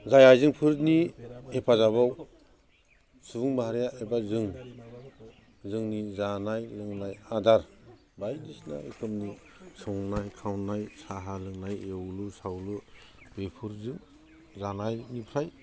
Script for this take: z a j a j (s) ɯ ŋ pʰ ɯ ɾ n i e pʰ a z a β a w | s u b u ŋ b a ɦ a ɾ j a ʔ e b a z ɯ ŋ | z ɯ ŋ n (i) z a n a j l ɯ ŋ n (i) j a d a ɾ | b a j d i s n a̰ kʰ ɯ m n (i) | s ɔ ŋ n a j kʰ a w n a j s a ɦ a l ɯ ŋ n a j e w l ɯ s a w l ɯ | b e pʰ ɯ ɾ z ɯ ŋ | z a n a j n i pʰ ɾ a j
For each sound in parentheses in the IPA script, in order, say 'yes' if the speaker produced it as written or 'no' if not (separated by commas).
no, yes, no, yes